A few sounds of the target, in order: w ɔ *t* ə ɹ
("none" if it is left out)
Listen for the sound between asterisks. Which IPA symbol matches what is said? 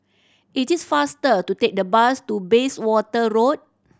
t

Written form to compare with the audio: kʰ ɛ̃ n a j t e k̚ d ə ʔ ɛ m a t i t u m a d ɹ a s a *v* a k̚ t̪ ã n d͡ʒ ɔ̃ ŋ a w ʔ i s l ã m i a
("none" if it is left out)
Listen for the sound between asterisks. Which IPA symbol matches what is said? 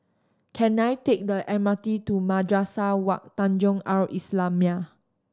w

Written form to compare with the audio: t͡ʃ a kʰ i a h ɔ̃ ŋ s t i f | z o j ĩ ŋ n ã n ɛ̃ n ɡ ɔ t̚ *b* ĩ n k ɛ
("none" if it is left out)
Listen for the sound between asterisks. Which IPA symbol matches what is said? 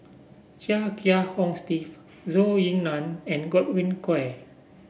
w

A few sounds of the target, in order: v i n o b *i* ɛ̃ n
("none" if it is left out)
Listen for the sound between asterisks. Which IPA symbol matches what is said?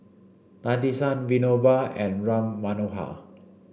a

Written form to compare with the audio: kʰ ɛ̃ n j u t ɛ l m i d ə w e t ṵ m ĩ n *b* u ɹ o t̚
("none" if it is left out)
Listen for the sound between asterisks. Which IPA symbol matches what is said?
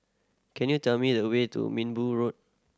b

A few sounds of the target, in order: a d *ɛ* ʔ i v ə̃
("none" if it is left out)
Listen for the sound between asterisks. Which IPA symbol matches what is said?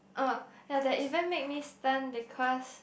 ɛ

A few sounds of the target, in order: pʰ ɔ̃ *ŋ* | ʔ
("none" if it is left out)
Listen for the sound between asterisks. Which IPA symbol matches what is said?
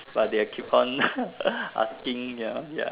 n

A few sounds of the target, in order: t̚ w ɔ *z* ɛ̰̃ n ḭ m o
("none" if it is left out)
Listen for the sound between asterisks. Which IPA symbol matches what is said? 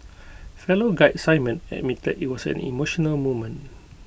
s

